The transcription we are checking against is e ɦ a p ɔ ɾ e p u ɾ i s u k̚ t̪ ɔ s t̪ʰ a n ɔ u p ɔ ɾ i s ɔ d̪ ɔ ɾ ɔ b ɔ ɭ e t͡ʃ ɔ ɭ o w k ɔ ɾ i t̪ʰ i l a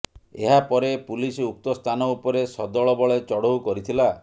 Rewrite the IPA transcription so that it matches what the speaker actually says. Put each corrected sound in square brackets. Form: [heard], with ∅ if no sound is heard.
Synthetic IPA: e ɦ a p ɔ ɾ e p u [l] i s u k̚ t̪ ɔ s t̪ʰ a n ɔ u p ɔ ɾ [e] s ɔ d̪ ɔ [ɭ] ɔ b ɔ ɭ e t͡ʃ ɔ [ɽ] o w k ɔ ɾ i t̪ʰ i l a